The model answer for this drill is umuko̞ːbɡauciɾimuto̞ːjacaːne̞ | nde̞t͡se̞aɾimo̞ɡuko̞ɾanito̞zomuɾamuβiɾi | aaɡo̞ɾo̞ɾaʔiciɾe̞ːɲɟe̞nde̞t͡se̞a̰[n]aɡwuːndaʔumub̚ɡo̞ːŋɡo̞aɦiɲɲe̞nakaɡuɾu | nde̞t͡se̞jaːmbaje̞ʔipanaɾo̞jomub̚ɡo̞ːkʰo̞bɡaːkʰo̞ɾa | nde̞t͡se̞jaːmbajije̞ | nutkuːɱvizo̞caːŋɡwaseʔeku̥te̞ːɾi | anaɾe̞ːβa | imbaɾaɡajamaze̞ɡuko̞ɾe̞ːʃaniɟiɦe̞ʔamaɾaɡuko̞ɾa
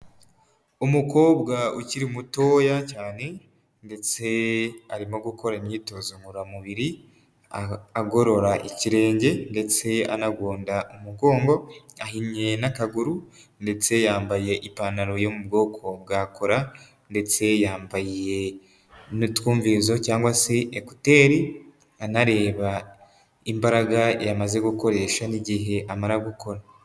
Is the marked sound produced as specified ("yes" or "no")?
yes